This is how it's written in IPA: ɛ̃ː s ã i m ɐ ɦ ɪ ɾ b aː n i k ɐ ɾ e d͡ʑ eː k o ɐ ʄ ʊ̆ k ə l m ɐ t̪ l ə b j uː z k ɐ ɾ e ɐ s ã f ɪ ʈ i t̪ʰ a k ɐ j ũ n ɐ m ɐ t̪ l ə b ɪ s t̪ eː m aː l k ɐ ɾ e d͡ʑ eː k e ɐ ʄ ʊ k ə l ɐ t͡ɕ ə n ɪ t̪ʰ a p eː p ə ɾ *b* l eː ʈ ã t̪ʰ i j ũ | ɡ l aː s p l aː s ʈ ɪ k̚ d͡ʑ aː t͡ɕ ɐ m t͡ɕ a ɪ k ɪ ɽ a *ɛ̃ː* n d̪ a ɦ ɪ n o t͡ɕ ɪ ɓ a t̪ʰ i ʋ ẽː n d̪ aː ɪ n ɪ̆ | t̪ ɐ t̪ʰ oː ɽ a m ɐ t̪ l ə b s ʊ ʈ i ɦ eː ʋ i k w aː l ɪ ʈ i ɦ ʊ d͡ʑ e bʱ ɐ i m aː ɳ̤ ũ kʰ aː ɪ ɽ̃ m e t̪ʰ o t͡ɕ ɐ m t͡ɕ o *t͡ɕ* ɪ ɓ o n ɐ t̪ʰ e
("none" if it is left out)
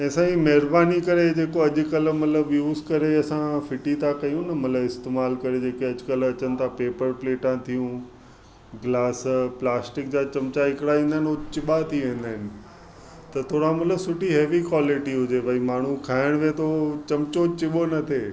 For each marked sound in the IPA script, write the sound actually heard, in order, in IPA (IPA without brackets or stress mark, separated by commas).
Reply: p, ĩː, t͡ɕ